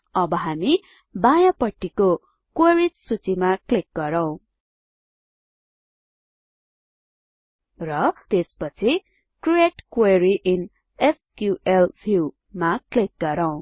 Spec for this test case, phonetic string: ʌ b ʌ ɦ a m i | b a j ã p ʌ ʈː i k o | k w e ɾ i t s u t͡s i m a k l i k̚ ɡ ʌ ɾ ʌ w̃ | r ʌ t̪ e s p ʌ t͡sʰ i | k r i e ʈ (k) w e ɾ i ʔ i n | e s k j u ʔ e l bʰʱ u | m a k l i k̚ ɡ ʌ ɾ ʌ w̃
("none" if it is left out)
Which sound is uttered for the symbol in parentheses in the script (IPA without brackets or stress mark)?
k